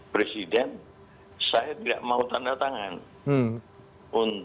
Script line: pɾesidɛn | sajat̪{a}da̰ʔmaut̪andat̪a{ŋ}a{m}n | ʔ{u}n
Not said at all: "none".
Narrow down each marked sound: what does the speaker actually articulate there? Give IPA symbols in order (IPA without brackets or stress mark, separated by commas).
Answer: i, ŋ, none, u